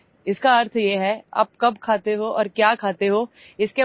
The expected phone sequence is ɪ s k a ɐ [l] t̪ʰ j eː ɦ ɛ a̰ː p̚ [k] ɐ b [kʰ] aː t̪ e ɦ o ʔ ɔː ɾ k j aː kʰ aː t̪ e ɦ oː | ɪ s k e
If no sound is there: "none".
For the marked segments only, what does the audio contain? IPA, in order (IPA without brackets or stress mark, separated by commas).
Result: ɾ, k, kʰ